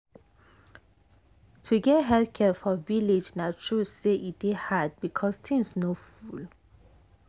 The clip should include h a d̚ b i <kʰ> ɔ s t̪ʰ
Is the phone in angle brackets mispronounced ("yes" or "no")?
no